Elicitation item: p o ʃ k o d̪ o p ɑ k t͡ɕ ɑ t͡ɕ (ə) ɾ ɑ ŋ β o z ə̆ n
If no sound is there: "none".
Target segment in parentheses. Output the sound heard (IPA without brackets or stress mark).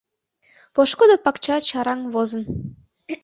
ɑ